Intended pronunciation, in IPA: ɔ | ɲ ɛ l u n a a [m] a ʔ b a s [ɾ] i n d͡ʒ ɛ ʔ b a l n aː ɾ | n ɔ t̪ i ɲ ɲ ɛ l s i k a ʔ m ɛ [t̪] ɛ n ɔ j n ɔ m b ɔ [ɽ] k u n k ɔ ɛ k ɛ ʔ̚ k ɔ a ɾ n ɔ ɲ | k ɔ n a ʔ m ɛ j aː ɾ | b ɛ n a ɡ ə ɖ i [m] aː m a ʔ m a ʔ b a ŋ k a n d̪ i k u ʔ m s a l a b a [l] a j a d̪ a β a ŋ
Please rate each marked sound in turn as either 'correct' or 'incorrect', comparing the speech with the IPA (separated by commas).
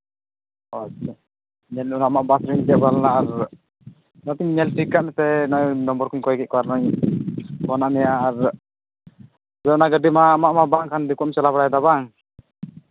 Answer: correct, correct, correct, incorrect, correct, incorrect